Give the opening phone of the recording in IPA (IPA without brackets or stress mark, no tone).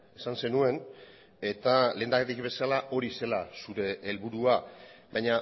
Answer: e